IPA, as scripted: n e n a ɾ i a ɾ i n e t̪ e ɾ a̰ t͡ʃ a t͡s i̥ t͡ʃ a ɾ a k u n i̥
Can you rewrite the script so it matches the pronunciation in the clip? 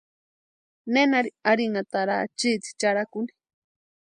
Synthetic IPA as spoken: n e n a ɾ i a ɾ i n a t̪ a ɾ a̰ t͡ʃ i t͡s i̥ t͡ʃ a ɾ a k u n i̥